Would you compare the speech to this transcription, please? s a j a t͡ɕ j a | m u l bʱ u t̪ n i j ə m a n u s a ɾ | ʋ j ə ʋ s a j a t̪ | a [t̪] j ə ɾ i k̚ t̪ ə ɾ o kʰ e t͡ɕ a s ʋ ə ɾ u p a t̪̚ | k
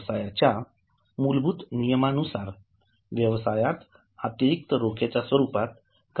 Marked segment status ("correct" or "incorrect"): correct